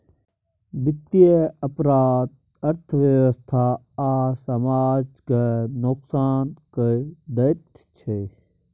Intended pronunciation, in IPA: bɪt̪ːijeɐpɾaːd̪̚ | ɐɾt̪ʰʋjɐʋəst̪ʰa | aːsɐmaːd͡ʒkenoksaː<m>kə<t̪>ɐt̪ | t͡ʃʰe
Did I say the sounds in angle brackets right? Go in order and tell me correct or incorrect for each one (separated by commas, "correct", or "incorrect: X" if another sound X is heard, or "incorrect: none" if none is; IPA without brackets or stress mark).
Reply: incorrect: n, incorrect: d̪